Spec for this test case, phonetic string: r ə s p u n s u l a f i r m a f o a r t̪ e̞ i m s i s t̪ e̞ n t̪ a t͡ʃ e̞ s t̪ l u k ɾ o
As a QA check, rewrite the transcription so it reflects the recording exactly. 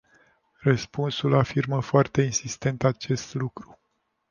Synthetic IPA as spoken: r ə s p u n s u l a f i r m ə f o a r t̪ e̞ i n s i s t̪ e̞ n t̪ a t͡ʃ e̞ s t̪ l u k ɾ u